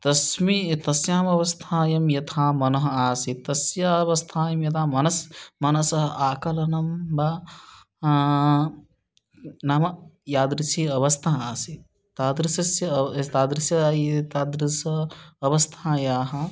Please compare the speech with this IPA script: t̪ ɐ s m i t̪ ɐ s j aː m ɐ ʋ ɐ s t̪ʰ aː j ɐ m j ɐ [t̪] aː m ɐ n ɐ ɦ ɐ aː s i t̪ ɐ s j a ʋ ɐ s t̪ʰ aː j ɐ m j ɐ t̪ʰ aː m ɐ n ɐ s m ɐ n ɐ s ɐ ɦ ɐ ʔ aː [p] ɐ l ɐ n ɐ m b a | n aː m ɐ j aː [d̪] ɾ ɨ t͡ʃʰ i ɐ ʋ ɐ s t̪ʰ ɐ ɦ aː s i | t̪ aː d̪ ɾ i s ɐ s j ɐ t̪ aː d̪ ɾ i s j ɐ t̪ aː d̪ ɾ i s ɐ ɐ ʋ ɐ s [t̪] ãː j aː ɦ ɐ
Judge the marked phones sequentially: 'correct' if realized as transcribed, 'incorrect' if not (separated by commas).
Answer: incorrect, incorrect, correct, incorrect